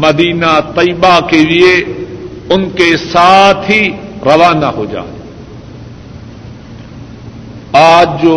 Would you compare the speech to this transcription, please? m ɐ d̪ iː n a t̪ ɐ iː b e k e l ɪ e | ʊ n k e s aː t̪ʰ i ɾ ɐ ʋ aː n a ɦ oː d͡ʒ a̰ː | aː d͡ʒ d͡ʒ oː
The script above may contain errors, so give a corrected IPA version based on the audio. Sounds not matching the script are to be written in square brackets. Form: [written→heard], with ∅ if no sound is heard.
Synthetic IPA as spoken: m ɐ d̪ iː n a t̪ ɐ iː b [e→a] k e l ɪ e | ʊ n k e s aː t̪ʰ i ɾ ɐ ʋ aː n a ɦ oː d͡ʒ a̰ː | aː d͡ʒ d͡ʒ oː